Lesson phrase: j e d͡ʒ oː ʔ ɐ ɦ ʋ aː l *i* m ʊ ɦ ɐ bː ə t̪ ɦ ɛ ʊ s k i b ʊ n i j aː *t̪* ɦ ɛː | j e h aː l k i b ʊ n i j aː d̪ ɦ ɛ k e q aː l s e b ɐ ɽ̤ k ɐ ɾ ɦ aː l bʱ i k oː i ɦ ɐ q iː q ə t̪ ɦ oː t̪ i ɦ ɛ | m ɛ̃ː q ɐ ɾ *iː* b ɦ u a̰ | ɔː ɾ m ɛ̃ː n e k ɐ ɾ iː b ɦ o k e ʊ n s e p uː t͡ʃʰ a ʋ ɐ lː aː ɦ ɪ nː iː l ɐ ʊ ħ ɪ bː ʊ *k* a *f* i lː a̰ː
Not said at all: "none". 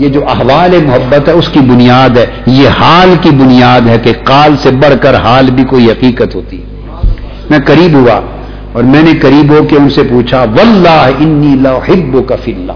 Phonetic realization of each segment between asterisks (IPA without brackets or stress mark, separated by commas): e, d̪, iː, k, f